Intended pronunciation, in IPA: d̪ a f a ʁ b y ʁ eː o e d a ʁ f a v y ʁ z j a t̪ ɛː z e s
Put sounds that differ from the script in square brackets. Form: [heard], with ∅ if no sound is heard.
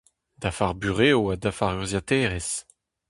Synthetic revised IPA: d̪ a f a ʁ b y ʁ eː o [a] d a [∅] f a [ʁ] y ʁ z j a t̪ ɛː [ʁ] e s